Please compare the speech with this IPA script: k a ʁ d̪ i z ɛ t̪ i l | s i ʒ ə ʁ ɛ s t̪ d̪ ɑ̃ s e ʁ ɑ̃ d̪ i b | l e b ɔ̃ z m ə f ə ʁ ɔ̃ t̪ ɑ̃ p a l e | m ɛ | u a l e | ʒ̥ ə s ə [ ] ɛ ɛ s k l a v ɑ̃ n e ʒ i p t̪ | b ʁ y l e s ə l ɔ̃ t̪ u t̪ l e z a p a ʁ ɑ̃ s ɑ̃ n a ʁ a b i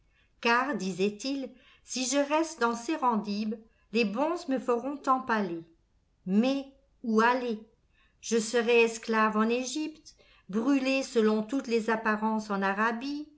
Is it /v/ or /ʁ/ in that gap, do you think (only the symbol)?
ʁ